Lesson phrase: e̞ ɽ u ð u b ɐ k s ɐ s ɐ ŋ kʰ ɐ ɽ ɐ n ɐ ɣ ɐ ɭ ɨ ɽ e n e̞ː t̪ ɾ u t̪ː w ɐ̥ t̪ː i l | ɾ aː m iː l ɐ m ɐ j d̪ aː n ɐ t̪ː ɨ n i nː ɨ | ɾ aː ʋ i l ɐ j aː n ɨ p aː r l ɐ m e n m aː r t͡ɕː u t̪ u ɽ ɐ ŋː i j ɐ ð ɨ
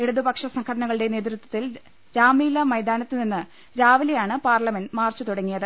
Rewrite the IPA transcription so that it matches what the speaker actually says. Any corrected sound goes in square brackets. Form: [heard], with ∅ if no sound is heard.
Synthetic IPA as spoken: e̞ ɽ u ð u b ɐ k [ʂ] ɐ s ɐ ŋ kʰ ɐ ɽ ɐ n ɐ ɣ ɐ ɭ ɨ ɽ e n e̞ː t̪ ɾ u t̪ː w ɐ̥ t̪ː i l | ɾ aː m iː l ɐ m ɐ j d̪ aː n ɐ t̪ː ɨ n i nː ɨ | ɾ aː ʋ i l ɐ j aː [ɳ] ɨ p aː r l ɐ m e n m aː r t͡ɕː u t̪ u ɽ ɐ ŋː i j ɐ ð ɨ